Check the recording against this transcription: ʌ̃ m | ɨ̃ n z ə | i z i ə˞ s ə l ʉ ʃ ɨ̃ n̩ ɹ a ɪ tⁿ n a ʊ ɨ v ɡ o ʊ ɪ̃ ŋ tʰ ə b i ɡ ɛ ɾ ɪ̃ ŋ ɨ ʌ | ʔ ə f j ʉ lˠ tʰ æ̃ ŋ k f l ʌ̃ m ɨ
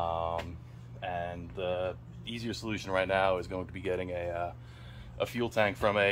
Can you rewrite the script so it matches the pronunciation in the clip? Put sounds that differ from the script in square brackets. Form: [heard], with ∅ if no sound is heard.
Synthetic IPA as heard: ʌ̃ m | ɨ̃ n [ð] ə | i z i ə˞ s ə l ʉ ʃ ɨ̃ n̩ ɹ a ɪ tⁿ n a ʊ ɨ [z] ɡ o ʊ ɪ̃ ŋ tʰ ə b i ɡ ɛ ɾ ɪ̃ ŋ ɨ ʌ | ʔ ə f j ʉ lˠ tʰ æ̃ ŋ k f [ɹ] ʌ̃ m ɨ

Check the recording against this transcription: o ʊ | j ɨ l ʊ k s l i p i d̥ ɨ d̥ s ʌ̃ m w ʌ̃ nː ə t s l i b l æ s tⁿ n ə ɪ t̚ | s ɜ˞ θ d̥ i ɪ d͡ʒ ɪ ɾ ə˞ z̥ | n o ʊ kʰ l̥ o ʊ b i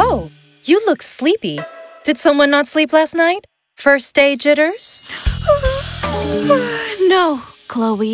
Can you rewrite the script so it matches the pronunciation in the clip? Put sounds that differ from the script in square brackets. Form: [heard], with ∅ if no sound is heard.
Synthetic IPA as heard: o ʊ | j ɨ l ʊ k s l i p i d̥ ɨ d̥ s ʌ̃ m w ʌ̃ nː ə t s l i [p] l æ s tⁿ n [a] ɪ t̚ | [f] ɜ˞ [s] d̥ [e] ɪ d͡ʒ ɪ ɾ ə˞ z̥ | n o ʊ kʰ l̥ o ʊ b i

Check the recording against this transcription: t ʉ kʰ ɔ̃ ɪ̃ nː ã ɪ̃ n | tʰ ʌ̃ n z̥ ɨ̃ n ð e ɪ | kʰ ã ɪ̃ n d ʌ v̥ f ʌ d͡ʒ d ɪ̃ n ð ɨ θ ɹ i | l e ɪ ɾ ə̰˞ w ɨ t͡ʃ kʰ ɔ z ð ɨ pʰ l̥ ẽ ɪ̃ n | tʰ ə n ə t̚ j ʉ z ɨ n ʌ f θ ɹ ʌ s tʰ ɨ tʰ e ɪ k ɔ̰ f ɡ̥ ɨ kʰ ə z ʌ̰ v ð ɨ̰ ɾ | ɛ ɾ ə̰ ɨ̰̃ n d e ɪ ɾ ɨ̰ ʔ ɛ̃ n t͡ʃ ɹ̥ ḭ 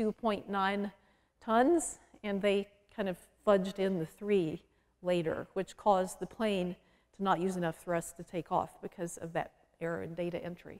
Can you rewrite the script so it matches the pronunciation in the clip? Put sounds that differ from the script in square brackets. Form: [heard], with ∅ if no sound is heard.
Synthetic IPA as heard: t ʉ [pʰ] ɔ̃ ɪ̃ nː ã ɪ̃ n | tʰ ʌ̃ n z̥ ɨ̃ n ð e ɪ | kʰ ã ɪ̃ n d ʌ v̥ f ʌ d͡ʒ d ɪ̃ n ð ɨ θ ɹ i | l e ɪ ɾ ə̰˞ w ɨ t͡ʃ kʰ ɔ z ð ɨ pʰ l̥ ẽ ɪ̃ n | tʰ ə n ə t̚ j ʉ z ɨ n ʌ f θ ɹ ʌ s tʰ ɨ tʰ e ɪ k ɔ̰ f [b̥] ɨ kʰ [ʌ] z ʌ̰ v ð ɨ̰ ɾ | ɛ [ɹ] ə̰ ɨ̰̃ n d e ɪ ɾ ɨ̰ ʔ ɛ̃ n t͡ʃ ɹ̥ ḭ

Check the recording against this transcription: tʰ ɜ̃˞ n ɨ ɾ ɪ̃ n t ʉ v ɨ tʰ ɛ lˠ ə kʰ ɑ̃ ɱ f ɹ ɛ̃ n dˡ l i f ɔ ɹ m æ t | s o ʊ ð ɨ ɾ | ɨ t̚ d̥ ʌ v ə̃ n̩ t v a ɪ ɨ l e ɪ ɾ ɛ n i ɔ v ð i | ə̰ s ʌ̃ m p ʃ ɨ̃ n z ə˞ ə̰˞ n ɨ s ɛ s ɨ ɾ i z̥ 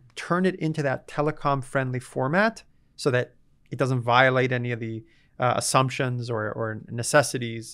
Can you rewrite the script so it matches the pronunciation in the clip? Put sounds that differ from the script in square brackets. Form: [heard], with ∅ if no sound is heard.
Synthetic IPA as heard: tʰ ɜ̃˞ n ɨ ɾ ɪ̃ n t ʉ [ð] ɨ tʰ ɛ lˠ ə kʰ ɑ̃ ɱ f ɹ ɛ̃ n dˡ l i f ɔ ɹ m æ t | s o ʊ ð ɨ ɾ | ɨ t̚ d̥ ʌ [z] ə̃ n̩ t v a ɪ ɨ l e ɪ ɾ ɛ n i [ʌ] v ð i | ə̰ s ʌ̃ m p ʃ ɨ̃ n z ə˞ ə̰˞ n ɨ s ɛ s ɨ ɾ i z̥

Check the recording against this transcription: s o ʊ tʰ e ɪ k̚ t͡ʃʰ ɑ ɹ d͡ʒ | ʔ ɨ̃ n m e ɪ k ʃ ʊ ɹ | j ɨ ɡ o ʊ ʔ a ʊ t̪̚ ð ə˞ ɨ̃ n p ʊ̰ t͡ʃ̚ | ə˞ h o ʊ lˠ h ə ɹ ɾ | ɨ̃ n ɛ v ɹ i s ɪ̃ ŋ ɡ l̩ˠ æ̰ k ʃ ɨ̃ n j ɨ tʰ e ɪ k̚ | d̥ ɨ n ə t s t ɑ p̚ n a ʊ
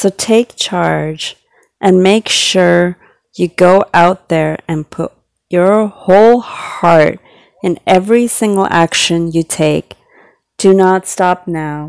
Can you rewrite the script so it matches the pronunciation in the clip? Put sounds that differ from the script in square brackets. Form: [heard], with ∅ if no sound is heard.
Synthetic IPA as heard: s o ʊ tʰ e ɪ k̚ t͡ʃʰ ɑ ɹ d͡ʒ | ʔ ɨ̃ n m e ɪ k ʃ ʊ ɹ | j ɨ ɡ o ʊ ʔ a ʊ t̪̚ ð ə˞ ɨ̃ n [pʰ] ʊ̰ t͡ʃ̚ | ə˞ h o ʊ lˠ h [ɑ] ɹ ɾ | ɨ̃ n ɛ v ɹ i s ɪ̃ ŋ ɡ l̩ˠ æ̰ k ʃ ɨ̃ n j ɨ tʰ e ɪ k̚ | d̥ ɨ n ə t s t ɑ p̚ n a ʊ

